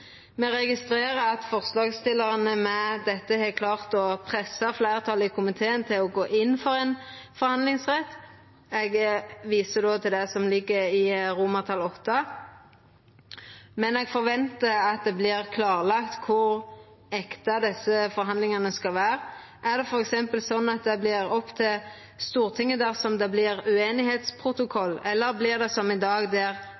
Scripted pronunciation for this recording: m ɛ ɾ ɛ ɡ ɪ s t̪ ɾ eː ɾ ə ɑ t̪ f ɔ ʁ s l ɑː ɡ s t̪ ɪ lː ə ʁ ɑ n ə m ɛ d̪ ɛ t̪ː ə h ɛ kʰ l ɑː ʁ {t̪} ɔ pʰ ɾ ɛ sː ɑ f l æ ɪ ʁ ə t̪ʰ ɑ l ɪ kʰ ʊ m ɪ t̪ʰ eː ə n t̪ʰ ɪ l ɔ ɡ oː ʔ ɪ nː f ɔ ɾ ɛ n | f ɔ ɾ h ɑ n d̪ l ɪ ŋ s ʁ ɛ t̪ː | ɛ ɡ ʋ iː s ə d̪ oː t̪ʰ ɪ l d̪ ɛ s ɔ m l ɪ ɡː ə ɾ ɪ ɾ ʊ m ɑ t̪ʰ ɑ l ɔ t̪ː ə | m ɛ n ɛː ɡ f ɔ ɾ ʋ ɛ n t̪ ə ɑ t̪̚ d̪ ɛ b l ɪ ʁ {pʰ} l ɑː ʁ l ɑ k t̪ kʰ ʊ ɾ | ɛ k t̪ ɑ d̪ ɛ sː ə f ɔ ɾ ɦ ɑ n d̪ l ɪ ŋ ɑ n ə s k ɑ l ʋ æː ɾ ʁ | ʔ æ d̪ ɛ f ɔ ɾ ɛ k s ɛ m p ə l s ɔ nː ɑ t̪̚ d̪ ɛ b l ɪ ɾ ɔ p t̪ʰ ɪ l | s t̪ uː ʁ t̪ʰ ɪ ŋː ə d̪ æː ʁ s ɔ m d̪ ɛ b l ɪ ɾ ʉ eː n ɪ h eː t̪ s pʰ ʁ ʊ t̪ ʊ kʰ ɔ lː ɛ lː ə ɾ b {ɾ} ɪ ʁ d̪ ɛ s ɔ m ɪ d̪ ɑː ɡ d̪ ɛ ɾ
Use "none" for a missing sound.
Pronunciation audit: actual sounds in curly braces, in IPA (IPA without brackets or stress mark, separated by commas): t̪, kʰ, l